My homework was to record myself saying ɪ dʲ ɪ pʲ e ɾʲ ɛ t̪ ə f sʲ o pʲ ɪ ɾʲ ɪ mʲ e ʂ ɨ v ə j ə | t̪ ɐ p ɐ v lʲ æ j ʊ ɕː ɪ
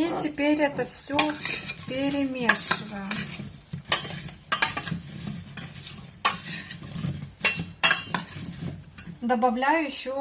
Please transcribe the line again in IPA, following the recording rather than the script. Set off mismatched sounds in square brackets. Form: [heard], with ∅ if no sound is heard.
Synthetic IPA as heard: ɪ [tʲ] ɪ pʲ e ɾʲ ɛ t̪ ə f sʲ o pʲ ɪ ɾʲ ɪ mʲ e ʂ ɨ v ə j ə | [d̪] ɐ [b] ɐ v lʲ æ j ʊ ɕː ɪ